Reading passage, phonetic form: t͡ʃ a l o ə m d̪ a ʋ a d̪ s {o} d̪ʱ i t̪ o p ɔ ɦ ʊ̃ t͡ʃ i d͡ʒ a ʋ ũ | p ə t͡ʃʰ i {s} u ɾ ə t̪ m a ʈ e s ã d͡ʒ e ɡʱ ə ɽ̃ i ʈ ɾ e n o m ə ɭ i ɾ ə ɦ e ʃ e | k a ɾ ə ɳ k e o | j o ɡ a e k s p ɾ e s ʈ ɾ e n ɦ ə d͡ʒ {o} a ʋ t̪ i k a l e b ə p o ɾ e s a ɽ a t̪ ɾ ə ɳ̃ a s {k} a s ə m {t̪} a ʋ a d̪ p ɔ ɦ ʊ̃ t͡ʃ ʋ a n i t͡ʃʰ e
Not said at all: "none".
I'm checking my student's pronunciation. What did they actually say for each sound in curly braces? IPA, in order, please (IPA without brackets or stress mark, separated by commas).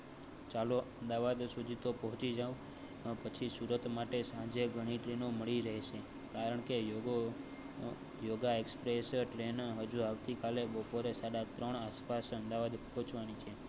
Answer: u, s, u, p, d̪